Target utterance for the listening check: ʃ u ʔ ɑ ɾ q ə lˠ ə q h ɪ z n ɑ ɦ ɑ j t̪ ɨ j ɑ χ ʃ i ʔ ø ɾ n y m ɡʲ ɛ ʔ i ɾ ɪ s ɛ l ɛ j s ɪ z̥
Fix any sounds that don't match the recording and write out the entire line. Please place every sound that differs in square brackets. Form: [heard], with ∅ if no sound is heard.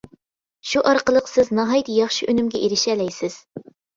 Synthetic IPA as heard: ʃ u ʔ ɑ ɾ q ə lˠ ə q [s] ɪ z n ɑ ɦ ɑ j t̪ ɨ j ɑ χ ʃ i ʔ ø [∅] n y m ɡʲ ɛ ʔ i ɾ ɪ [ʃ] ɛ l ɛ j s ɪ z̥